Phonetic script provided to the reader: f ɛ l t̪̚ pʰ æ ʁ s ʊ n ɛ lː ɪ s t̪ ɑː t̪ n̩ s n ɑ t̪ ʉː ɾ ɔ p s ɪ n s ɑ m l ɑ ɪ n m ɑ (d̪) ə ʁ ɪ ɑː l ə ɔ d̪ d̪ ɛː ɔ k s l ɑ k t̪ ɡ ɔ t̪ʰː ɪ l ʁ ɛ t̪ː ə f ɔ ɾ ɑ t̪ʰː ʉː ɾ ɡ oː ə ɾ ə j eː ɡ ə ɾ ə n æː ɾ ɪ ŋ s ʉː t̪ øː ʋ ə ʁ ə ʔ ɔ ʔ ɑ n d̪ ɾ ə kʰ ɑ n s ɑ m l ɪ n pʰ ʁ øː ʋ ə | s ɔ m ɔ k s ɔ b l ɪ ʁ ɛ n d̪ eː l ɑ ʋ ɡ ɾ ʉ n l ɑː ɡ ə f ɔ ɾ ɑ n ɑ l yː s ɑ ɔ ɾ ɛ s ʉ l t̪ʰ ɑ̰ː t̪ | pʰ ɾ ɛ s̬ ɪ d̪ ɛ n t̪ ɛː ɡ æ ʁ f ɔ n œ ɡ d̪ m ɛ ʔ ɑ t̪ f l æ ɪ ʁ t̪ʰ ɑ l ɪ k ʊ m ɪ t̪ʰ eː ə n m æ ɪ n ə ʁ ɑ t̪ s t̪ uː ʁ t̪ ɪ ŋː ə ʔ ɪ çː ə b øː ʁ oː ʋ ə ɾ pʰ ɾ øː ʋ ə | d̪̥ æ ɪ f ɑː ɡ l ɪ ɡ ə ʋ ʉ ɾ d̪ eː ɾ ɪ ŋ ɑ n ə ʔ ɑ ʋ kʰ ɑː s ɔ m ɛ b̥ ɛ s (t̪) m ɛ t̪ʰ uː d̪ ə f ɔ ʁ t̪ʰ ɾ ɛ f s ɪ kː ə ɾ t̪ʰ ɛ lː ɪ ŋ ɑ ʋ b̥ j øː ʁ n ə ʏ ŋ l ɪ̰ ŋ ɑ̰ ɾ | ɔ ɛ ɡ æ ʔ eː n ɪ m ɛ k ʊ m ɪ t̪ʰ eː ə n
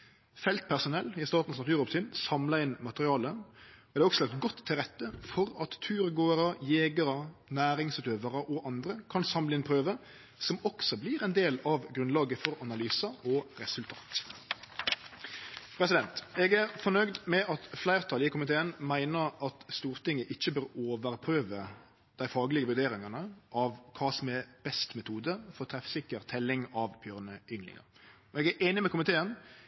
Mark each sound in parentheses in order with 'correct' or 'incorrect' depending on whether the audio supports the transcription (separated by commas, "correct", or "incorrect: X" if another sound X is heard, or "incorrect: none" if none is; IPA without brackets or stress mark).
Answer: incorrect: t̪, correct